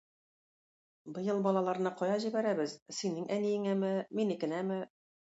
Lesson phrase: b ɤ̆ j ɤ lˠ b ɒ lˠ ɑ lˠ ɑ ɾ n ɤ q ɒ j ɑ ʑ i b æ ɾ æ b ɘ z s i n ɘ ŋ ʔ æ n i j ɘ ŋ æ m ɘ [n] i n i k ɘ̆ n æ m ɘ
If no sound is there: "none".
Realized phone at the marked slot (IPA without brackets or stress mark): m